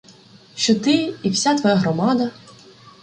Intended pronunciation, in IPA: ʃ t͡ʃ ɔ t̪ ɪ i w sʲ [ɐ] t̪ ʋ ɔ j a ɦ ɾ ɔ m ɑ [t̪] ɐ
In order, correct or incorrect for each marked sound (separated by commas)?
incorrect, incorrect